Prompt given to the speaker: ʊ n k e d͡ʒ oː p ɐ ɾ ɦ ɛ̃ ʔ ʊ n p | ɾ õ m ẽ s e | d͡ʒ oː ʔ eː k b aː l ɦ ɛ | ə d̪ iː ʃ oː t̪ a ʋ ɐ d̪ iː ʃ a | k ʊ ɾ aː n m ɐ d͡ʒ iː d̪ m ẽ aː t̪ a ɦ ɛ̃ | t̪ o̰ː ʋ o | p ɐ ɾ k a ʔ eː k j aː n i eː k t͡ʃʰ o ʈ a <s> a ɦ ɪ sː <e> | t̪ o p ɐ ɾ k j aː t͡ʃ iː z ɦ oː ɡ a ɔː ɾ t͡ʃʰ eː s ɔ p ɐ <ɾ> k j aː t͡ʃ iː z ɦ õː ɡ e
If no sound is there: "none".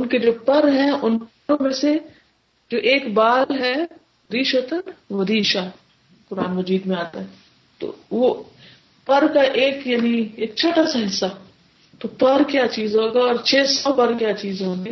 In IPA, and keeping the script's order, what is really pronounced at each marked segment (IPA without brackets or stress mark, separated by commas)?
s, a, ɾ